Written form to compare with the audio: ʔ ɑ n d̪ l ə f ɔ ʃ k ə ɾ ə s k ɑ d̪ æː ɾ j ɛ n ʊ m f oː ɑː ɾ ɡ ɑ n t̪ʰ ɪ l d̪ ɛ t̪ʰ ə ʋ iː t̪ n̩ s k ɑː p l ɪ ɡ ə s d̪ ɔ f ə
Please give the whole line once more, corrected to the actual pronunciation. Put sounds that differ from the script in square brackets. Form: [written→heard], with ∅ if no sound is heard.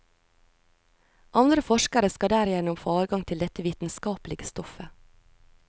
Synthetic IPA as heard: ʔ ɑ n d̪ [l→ɾ] ə f ɔ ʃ k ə ɾ ə s k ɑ d̪ æː ɾ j ɛ n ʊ m f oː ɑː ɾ ɡ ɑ [n→ŋ] t̪ʰ ɪ l d̪ ɛ [t̪ʰ→t̪] ə ʋ iː t̪ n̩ s k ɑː p l ɪ ɡ ə s [d̪→t̪] ɔ f ə

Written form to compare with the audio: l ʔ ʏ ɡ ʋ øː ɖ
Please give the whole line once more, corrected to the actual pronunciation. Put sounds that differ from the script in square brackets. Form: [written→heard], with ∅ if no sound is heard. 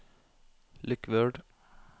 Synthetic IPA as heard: l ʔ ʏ [ɡ→k] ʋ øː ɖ

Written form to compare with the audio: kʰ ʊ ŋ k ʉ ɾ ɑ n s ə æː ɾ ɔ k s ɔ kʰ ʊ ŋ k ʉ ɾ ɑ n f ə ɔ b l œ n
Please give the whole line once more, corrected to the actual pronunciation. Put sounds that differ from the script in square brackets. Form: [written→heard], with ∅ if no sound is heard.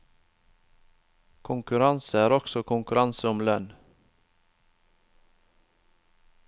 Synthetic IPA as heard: kʰ ʊ ŋ k ʉ ɾ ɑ n s ə æː ɾ ɔ k s ɔ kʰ ʊ ŋ k ʉ ɾ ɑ n [f→s] ə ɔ [b→m] l œ n

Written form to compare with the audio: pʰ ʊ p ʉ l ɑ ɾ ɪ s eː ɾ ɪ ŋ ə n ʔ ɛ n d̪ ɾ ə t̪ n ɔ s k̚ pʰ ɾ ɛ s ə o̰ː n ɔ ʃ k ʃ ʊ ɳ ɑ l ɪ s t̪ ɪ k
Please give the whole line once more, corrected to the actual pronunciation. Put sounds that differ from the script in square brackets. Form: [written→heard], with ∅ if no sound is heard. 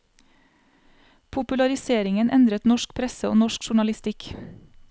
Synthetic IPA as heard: pʰ ʊ p ʉ l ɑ ɾ ɪ s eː ɾ ɪ ŋ ə n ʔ ɛ n d̪ ɾ ə t̪ n ɔ [s→ʃ] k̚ pʰ ɾ ɛ s ə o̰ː n ɔ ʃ k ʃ ʊ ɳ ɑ l ɪ s t̪ ɪ k

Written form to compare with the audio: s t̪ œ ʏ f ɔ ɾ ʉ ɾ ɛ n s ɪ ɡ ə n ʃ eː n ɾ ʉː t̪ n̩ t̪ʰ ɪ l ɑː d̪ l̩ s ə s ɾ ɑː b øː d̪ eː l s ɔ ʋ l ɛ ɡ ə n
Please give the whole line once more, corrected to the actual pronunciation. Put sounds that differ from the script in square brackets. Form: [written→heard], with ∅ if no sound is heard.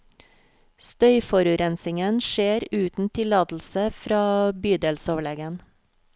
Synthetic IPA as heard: s t̪ œ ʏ f ɔ ɾ ʉ ɾ ɛ n s ɪ [ɡ→ŋ] ə n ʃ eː [n→∅] ɾ ʉː t̪ n̩ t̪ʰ ɪ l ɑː d̪ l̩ s ə [s→f] ɾ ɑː b [øː→yː] d̪ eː l s ɔ ʋ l ɛ ɡ ə n

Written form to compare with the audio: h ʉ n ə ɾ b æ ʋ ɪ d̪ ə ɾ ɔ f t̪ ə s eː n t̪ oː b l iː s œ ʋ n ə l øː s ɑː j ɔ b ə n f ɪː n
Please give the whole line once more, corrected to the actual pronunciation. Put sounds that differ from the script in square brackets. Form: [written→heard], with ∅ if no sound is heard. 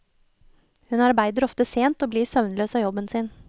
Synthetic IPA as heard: h ʉ n [ə→ɑ] ɾ b æ [ʋ→∅] ɪ d̪ ə ɾ ɔ f t̪ ə s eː n t̪ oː b l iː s œ ʋ n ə l øː s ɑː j ɔ b ə n [f→s] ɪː n

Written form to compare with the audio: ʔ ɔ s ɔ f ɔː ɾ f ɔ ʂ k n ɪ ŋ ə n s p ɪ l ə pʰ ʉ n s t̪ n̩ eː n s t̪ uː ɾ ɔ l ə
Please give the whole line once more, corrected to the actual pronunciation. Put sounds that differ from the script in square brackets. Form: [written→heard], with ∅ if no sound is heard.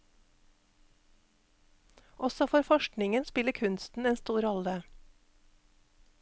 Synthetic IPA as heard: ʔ ɔ s ɔ f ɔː ɾ f ɔ [ʂ→ʃ] k n ɪ ŋ ə n s p ɪ l ə [pʰ→kʰ] ʉ n s t̪ n̩ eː n s t̪ uː ɾ ɔ l ə

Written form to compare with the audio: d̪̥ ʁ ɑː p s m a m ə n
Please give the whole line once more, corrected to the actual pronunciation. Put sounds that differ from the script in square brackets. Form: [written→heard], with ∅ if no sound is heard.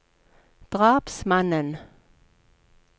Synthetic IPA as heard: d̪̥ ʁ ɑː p s m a [m→n] ə n

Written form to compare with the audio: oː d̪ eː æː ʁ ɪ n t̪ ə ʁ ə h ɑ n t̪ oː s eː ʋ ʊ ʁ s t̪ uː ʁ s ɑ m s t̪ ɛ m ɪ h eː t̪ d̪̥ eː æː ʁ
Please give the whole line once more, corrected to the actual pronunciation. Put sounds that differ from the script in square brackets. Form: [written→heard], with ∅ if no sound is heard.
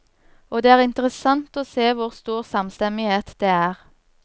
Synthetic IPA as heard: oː d̪ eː æː ʁ ɪ n t̪ ə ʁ ə [h→s] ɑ n t̪ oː s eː ʋ ʊ ʁ s t̪ uː ʁ s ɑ m s t̪ ɛ m ɪ h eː t̪ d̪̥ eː æː ʁ

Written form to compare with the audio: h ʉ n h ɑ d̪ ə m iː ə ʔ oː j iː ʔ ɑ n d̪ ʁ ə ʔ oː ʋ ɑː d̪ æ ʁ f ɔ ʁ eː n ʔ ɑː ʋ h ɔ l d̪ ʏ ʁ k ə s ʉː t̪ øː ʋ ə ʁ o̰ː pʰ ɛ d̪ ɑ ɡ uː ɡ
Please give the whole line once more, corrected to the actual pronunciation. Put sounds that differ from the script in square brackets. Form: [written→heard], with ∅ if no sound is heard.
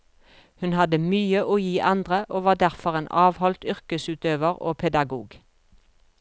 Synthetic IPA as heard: h ʉ n h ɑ d̪ ə m [iː→yː] ə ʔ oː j iː ʔ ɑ n d̪ ʁ ə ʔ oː ʋ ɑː d̪ æ ʁ f ɔ ʁ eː n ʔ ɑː ʋ h ɔ l [d̪→t̪] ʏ ʁ k ə s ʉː t̪ øː ʋ ə ʁ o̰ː pʰ ɛ d̪ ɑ ɡ uː ɡ

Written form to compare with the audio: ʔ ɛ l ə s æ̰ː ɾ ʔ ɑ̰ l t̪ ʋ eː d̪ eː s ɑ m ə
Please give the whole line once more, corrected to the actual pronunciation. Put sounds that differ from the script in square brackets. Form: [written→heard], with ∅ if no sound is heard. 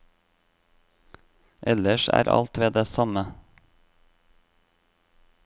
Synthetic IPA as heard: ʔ ɛ l ə [s→ʃ] æ̰ː ɾ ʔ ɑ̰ l t̪ ʋ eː d̪ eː s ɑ m ə

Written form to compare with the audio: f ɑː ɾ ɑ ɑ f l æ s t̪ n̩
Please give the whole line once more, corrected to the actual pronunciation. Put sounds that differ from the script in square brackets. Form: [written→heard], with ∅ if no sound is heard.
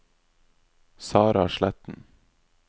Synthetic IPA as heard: [f→s] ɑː ɾ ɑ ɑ [f→ʃ] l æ [s→∅] t̪ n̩

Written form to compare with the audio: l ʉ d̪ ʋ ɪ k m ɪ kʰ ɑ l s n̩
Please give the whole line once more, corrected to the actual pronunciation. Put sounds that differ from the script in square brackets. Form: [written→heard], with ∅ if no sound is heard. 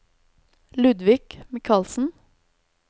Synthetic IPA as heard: l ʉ d̪ ʋ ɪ k m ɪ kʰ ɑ l s n̩

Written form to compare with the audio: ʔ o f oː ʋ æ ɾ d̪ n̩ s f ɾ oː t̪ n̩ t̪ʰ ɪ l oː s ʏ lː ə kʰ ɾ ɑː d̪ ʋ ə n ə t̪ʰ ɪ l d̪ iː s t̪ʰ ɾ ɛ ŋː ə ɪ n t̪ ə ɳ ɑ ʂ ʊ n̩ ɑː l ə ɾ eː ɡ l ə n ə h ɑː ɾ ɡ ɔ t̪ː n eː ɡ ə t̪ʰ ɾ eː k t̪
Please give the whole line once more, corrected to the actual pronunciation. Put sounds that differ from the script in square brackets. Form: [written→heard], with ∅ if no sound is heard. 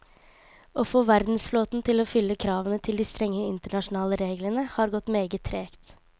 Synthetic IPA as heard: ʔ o f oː ʋ æ ɾ d̪ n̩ s f [ɾ→l] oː t̪ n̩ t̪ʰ ɪ l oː [s→f] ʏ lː ə kʰ ɾ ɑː [d̪→∅] ʋ ə n ə t̪ʰ ɪ l d̪ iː s [t̪ʰ→t̪] ɾ ɛ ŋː ə ɪ n t̪ ə ɳ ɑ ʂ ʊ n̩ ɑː l ə ɾ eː ɡ l ə n ə h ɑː ɾ ɡ ɔ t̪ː [n→m] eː ɡ ə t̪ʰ ɾ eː k t̪

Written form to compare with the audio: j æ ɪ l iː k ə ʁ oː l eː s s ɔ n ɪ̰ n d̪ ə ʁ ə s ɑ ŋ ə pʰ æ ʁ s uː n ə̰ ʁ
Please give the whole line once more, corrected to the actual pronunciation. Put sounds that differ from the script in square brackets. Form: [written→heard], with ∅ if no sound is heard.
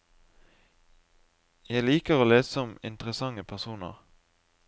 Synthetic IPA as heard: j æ ɪ l iː k ə ʁ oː l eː s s ɔ [n→m] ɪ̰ n [d̪→t̪] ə ʁ ə s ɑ ŋ ə pʰ æ ʁ s uː n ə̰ ʁ

